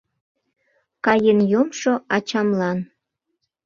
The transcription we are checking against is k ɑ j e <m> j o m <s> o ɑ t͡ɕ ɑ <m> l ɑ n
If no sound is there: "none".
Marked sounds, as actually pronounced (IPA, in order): n, ʃ, m

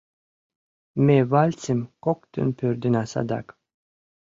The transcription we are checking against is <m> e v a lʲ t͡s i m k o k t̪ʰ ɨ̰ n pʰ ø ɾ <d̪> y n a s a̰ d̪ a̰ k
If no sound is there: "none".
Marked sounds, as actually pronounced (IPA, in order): m, d̪

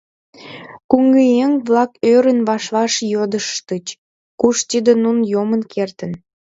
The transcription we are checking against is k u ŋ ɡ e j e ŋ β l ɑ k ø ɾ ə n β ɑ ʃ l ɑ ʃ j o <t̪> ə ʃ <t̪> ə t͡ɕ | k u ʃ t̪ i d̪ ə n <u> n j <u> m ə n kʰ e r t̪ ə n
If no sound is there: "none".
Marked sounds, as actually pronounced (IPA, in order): d̪, t̪, u, o

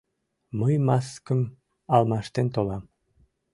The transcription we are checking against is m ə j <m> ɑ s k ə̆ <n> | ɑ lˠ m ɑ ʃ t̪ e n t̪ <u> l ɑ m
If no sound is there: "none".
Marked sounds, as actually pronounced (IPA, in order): m, m, o

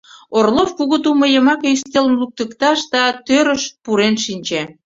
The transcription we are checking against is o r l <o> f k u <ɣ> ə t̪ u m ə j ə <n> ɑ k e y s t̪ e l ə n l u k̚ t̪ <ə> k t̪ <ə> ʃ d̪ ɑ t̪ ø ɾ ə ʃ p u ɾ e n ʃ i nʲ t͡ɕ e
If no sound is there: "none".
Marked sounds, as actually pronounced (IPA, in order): o, ɣ, m, ə, ɑ

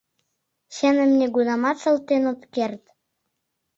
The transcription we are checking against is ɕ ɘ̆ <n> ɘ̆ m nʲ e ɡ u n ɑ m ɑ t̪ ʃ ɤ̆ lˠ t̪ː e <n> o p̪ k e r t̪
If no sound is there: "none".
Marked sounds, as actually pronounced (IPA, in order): n, n

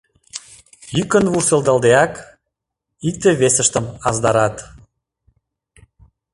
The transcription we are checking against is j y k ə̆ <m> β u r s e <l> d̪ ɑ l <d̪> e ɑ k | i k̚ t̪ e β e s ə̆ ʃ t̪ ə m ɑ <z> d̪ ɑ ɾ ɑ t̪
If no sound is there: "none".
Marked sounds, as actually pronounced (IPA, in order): n, l, d̪, z

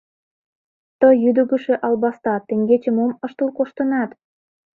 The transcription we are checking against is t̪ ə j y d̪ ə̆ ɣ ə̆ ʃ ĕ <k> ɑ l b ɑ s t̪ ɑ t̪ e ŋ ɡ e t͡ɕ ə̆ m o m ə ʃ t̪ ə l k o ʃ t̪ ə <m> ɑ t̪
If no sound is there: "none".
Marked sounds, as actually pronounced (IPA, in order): ʔ, n

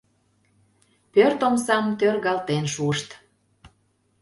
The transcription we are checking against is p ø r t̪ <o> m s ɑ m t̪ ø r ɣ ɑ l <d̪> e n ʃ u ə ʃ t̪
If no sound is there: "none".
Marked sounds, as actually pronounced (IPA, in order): o, t̪

